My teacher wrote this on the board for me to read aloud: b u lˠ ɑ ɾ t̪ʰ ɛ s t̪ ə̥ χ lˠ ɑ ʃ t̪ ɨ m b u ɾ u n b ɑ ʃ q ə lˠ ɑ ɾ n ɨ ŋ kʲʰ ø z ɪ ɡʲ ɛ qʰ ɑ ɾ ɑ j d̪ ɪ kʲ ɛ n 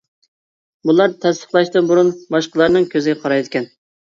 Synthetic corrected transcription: b u lˠ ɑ ɾ t̪ʰ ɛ s t̪ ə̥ χ lˠ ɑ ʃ t̪ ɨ n b u ɾ u n b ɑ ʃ q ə lˠ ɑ ɾ n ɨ ŋ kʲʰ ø z ɪ ɡʲ ɛ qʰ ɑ ɾ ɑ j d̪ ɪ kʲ ɛ n